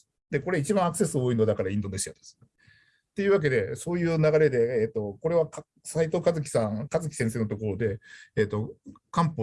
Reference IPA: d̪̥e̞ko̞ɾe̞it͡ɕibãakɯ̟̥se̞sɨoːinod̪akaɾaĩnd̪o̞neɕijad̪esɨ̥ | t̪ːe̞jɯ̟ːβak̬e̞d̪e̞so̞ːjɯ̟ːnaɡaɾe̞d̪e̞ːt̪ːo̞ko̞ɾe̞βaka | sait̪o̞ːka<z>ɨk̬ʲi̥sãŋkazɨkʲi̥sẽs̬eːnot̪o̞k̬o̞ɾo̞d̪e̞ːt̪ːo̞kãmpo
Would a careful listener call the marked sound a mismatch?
no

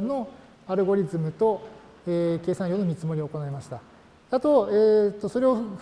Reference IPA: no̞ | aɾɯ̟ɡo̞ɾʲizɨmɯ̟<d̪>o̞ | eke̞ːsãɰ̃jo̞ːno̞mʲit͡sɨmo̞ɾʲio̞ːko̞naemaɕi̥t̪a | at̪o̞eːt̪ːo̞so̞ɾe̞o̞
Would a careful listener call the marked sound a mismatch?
yes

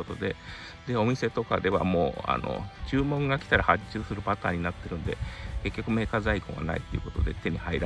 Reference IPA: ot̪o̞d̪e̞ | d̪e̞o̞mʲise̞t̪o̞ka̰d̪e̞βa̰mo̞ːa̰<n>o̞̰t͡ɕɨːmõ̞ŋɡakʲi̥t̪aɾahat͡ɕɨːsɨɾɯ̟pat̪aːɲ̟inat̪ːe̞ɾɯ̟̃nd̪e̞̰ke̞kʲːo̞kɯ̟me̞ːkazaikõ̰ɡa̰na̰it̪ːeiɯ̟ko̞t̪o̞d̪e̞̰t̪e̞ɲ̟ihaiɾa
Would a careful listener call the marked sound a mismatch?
no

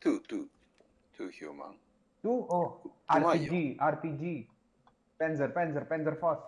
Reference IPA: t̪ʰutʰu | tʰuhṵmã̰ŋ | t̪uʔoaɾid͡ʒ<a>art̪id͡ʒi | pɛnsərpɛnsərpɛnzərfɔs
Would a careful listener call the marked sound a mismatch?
yes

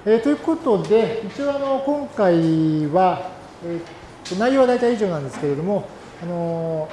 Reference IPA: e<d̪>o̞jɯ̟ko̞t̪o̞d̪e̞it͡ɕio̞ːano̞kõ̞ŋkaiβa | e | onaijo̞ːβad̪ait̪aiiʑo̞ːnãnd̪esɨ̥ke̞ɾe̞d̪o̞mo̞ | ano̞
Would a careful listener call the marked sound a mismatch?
yes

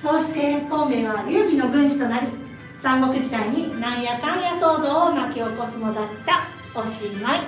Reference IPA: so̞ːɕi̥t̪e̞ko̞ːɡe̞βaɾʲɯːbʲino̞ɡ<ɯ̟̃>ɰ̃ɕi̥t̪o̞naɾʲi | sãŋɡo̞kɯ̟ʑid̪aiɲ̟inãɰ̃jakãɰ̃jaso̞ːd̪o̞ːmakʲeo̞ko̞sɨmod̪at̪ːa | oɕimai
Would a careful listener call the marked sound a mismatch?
no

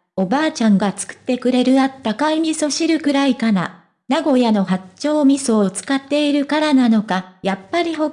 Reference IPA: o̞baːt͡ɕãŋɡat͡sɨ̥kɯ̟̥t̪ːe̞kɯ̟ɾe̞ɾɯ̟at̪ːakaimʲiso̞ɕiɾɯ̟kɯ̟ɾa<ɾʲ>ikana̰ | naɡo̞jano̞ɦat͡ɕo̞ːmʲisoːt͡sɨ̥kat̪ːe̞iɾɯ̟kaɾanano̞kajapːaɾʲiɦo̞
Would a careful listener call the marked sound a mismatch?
yes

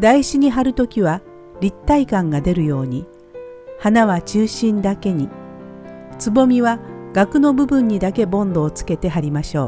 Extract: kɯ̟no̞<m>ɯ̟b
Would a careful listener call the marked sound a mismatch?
yes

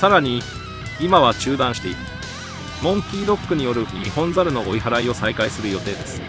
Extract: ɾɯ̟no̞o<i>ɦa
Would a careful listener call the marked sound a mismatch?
no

